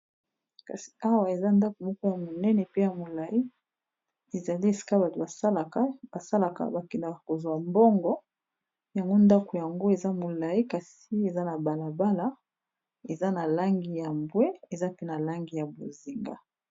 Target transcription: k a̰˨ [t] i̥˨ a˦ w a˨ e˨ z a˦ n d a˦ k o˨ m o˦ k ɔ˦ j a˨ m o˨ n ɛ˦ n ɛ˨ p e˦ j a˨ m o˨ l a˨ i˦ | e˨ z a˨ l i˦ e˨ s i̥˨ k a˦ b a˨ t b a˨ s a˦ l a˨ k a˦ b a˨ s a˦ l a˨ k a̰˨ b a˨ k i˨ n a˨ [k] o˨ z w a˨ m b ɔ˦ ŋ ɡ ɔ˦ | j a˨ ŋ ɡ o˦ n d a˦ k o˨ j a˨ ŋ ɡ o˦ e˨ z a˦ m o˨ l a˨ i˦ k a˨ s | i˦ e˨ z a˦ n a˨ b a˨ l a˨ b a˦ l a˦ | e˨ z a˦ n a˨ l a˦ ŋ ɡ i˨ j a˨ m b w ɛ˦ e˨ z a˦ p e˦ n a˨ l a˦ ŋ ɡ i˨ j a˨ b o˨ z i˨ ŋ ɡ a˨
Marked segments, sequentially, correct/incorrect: incorrect: s, correct

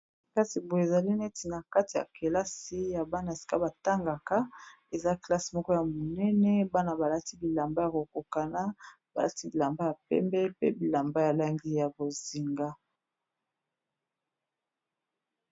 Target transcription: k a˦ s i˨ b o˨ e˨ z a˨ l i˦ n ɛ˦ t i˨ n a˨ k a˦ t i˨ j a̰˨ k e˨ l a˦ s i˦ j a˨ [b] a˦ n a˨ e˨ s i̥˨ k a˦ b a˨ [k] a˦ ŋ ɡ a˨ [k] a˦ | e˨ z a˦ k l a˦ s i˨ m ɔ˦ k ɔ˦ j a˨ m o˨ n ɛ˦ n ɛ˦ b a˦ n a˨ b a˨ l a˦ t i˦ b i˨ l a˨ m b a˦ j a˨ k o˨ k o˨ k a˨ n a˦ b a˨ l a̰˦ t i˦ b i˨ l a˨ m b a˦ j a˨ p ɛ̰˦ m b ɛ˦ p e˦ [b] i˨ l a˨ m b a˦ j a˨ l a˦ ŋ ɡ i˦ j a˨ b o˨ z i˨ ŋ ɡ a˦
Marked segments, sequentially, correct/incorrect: correct, incorrect: t, correct, correct

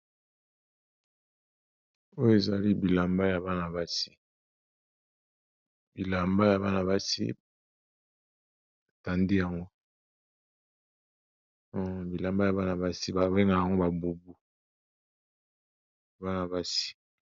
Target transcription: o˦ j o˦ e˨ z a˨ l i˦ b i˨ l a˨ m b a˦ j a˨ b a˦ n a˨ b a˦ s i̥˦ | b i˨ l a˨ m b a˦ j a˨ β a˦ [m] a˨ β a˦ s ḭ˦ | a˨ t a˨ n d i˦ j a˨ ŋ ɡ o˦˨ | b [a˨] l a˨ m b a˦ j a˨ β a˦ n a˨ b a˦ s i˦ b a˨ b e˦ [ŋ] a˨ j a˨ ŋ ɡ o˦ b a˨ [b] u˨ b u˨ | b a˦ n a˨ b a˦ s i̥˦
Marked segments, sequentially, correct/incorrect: incorrect: n, incorrect: i˨, correct, correct

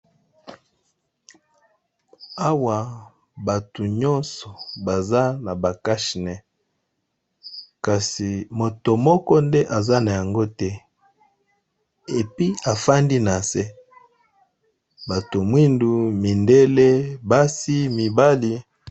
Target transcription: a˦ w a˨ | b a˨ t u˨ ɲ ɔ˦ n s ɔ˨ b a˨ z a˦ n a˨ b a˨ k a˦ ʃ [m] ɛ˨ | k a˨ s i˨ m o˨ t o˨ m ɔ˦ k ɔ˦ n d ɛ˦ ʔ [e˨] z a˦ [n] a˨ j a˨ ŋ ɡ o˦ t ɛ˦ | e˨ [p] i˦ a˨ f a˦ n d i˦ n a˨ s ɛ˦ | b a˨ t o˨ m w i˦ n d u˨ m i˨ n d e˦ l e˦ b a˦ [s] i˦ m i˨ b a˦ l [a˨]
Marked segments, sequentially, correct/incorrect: incorrect: n, incorrect: a˨, correct, correct, correct, incorrect: i˨

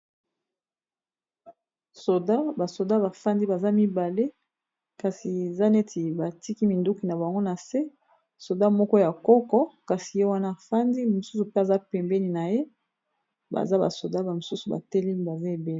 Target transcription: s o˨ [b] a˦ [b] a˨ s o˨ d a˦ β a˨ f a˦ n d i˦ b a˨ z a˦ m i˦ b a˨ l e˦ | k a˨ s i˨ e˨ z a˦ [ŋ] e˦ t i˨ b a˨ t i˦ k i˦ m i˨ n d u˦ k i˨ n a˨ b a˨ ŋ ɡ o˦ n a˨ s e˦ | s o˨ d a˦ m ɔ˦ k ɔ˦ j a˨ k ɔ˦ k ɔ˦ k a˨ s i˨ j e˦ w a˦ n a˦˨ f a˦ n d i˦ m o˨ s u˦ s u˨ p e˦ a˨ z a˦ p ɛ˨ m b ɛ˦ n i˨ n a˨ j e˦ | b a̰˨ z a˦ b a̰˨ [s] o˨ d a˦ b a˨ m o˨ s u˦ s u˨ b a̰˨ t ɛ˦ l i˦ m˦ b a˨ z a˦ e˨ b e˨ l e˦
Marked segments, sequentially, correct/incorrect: incorrect: d, correct, incorrect: n, correct

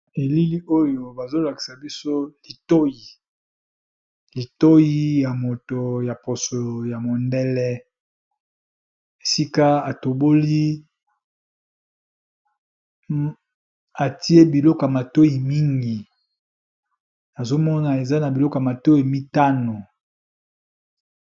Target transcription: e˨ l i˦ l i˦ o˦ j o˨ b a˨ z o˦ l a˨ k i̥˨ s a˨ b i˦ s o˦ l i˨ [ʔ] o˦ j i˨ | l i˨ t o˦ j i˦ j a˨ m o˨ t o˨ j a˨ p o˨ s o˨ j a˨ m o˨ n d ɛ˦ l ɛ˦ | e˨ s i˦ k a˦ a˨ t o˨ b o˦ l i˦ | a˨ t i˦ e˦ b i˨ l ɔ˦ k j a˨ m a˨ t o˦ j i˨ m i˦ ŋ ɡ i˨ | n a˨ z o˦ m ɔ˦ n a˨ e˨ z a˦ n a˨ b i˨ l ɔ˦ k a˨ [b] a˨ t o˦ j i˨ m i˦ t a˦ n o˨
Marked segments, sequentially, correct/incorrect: incorrect: t, incorrect: m

